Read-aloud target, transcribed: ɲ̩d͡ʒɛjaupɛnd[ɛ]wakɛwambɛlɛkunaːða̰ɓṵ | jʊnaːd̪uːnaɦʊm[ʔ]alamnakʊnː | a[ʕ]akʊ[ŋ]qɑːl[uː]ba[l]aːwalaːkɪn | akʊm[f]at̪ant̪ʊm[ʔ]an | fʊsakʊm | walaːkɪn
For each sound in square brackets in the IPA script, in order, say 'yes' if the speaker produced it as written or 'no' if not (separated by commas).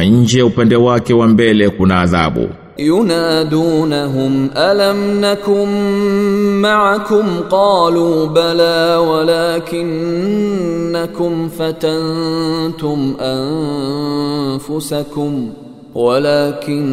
yes, yes, yes, no, yes, yes, yes, yes